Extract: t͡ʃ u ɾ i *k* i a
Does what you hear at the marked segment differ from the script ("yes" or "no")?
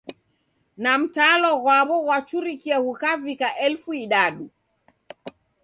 no